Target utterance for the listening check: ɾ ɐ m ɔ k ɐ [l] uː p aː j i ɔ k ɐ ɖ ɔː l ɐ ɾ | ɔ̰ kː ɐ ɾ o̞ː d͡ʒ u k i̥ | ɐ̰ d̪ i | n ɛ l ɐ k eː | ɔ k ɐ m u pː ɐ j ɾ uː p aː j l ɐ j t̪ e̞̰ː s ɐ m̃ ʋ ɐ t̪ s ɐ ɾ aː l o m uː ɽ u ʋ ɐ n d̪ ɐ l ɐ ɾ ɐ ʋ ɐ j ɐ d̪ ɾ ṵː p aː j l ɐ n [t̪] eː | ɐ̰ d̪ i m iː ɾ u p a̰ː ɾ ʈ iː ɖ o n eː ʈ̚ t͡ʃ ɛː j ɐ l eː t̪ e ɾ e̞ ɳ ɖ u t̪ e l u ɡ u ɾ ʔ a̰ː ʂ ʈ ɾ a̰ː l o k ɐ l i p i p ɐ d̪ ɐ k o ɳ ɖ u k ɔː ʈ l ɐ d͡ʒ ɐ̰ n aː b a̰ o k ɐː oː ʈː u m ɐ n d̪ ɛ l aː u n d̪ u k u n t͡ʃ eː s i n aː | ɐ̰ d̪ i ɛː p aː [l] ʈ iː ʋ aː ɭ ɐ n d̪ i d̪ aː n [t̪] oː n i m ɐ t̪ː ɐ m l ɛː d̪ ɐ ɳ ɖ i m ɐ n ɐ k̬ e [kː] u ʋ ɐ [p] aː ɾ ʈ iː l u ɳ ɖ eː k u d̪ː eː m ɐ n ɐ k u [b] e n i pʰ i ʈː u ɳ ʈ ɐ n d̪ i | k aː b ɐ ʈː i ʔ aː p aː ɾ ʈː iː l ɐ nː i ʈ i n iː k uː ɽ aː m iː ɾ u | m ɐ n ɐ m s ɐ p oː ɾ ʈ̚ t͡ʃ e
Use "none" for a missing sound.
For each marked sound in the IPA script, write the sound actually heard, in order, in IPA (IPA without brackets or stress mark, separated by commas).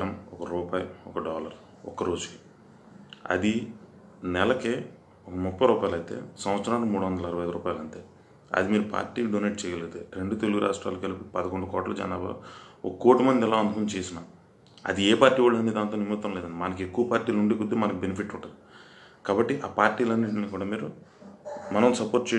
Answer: ɾ, t̪, ɾ, t̪, kː, p, b